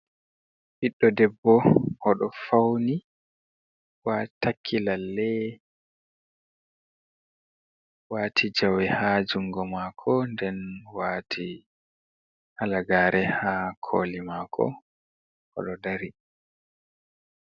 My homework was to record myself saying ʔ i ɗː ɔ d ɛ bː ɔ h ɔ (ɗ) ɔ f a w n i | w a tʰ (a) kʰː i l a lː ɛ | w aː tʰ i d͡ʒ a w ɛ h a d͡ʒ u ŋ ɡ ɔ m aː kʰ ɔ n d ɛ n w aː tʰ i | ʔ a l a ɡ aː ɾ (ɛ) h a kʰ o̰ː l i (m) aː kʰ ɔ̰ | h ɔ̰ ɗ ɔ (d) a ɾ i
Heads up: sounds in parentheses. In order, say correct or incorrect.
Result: correct, correct, correct, correct, correct

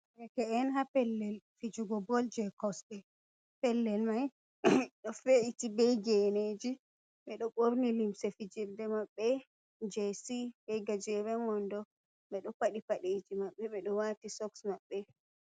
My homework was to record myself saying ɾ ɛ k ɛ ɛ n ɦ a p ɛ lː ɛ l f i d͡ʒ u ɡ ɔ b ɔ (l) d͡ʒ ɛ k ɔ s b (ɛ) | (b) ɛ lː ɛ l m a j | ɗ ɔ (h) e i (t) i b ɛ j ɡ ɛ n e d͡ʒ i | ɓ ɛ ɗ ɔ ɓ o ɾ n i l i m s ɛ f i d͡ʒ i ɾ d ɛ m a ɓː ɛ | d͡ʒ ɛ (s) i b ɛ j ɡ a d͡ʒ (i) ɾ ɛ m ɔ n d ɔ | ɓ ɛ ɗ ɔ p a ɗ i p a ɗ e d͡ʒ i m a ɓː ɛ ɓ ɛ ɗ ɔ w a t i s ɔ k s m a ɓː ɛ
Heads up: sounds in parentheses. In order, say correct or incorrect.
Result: correct, correct, incorrect: p, incorrect: f, correct, correct, incorrect: ɛ

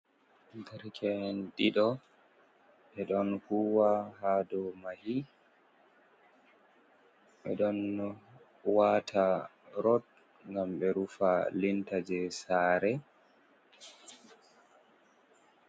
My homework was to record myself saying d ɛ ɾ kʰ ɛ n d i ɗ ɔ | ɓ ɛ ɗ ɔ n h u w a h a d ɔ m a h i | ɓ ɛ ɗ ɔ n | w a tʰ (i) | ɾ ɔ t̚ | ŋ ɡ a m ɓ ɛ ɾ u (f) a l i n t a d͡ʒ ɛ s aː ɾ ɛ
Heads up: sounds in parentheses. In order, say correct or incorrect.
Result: incorrect: a, correct

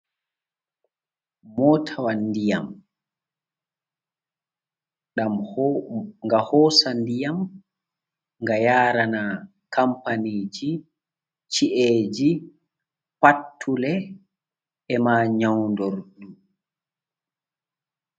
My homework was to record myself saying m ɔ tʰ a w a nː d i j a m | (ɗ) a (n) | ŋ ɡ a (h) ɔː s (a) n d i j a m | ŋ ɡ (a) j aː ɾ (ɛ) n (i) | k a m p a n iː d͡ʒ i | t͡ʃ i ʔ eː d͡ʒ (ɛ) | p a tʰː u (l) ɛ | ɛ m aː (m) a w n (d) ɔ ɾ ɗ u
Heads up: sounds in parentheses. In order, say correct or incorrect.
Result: correct, incorrect: m, correct, correct, correct, incorrect: a, incorrect: a, incorrect: i, correct, incorrect: ɲ, correct

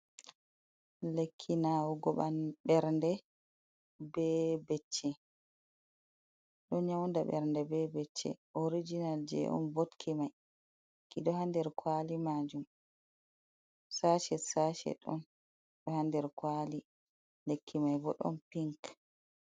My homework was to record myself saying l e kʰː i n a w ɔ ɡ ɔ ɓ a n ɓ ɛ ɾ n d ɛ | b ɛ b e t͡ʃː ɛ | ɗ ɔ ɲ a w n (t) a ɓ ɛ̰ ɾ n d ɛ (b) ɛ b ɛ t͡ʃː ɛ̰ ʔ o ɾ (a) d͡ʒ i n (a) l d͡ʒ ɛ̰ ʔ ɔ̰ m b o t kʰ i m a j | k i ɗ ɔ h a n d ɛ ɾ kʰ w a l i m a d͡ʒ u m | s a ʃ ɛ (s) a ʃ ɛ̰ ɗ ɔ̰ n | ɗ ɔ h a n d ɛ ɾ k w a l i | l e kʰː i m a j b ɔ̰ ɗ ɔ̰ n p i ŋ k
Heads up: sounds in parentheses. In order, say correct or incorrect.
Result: incorrect: d, correct, incorrect: i, correct, correct

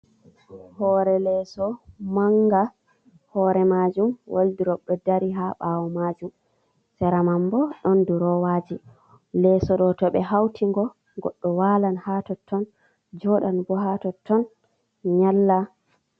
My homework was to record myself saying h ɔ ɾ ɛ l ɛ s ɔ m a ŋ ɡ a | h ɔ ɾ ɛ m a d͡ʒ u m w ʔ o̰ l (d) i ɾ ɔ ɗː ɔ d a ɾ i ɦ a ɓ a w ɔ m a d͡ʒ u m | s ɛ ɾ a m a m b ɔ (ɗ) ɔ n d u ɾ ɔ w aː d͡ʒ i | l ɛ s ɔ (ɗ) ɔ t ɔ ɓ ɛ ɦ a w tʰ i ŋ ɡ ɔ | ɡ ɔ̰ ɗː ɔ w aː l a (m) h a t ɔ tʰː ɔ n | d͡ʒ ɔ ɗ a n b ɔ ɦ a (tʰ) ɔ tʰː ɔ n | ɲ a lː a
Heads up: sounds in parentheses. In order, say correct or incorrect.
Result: correct, correct, correct, incorrect: n, incorrect: t

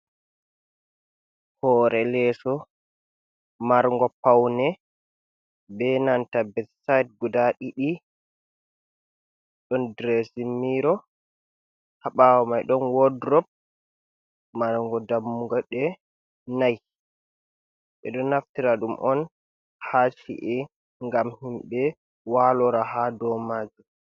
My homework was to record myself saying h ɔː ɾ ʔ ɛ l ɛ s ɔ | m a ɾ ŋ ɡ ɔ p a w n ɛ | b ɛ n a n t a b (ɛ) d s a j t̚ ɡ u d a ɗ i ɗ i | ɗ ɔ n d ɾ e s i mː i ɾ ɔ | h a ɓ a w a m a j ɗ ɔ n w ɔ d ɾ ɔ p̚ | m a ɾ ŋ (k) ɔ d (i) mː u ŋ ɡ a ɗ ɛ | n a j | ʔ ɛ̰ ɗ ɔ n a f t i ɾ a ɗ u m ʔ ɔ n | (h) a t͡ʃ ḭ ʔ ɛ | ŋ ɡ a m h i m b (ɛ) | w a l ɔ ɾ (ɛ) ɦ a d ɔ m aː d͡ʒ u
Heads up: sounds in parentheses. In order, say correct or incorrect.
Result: correct, incorrect: ɡ, incorrect: a, correct, correct, incorrect: a

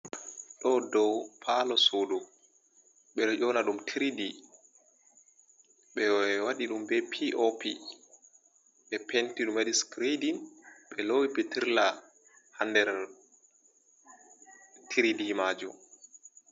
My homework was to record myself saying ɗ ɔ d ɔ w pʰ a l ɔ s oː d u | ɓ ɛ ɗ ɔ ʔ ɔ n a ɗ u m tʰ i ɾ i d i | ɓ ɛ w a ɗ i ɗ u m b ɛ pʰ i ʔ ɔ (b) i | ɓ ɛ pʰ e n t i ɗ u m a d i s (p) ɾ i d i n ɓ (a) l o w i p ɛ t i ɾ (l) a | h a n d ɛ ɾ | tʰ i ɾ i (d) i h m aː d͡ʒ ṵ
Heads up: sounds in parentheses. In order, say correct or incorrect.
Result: incorrect: p, incorrect: k, incorrect: ɛ, correct, correct

